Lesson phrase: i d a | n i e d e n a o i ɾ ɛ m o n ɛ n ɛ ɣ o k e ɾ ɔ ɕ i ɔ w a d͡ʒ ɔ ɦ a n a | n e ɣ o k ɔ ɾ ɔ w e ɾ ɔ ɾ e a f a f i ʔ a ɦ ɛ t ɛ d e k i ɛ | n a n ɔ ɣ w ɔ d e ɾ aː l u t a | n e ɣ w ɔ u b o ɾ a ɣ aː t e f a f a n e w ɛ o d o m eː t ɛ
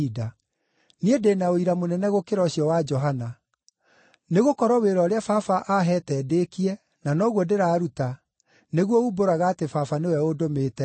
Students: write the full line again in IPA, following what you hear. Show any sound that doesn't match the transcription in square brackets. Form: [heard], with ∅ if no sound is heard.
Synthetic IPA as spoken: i d a | n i e d e n a o i ɾ [a] m o n ɛ n ɛ ɣ o k e ɾ ɔ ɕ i ɔ w a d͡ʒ ɔ ɦ a n a | n e ɣ o k ɔ ɾ ɔ w e ɾ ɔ ɾ e a f a f [a] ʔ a ɦ ɛ t ɛ d e k i ɛ | n a n ɔ ɣ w ɔ d e ɾ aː [ɾ] u t a | n e ɣ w ɔ u b o ɾ a ɣ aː t e f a f a n e w ɛ o d o m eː t ɛ